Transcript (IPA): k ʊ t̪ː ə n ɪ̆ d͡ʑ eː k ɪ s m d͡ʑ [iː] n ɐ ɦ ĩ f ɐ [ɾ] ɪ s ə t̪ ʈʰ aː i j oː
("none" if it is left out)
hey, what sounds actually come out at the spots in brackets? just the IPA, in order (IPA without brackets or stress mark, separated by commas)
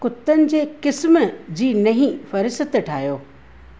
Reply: iː, ɾ